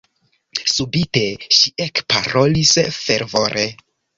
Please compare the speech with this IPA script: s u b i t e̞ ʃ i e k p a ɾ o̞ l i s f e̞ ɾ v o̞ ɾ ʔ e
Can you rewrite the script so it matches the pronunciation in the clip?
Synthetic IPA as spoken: s u b i t e̞ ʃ i e k p a ɾ o̞ l i s f e̞ ɾ v o̞ ɾ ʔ e